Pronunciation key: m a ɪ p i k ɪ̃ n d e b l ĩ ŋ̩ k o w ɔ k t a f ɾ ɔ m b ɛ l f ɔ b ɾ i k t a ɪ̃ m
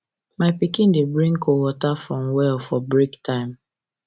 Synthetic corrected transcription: m a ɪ p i k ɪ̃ n d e b ɾ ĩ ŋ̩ k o w ɔ t a f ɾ ɔ m w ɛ l f ɔ b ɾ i k t a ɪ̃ m